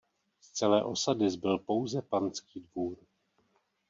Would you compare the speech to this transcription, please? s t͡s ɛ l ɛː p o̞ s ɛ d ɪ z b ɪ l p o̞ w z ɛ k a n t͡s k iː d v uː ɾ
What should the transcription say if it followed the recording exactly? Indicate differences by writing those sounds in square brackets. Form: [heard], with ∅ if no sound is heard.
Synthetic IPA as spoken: s t͡s ɛ l ɛː [ʔ] o̞ s [a] d ɪ z b ɪ l p o̞ w z ɛ [p] a n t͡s k iː d v uː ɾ